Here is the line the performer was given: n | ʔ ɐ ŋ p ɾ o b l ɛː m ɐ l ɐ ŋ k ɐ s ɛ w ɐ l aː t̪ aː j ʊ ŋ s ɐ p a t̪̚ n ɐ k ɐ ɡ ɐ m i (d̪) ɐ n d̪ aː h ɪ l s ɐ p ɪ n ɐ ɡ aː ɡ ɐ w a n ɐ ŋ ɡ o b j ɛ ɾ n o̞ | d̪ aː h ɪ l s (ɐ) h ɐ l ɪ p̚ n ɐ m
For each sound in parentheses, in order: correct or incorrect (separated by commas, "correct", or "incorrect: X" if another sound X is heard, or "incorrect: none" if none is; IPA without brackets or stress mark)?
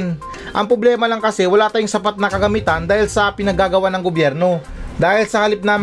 incorrect: t̪, correct